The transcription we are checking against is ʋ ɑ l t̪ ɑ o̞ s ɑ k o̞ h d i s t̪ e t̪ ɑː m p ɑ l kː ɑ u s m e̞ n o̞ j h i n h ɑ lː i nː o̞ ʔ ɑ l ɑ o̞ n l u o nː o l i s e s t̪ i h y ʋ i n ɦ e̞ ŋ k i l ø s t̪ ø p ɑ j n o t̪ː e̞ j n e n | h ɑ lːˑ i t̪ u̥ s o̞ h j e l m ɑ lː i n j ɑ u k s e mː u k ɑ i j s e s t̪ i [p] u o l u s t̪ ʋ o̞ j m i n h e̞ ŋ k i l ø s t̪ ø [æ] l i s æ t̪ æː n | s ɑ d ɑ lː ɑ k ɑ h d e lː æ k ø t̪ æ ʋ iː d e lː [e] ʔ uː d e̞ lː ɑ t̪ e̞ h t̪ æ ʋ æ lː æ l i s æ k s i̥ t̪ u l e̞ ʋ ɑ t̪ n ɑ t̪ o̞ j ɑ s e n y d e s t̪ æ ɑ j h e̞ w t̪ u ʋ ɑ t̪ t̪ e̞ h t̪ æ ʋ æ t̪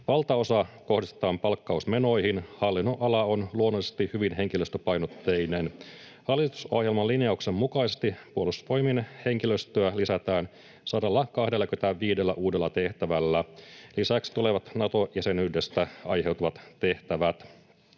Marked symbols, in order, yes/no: yes, yes, no

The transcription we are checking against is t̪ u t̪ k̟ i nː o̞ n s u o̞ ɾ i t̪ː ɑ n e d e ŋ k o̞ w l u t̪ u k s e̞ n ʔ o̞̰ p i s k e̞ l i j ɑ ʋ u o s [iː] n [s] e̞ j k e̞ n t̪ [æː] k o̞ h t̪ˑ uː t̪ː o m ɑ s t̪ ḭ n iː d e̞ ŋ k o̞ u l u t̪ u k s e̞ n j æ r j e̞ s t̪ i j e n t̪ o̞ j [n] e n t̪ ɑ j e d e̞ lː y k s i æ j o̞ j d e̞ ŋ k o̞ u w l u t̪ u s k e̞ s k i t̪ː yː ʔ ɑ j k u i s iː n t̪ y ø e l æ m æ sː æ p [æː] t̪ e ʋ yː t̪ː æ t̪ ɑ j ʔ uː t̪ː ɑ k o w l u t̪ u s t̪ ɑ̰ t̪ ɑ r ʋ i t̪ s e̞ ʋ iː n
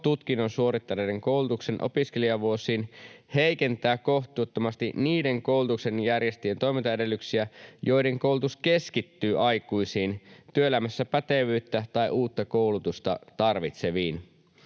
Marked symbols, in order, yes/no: yes, no, yes, no, no

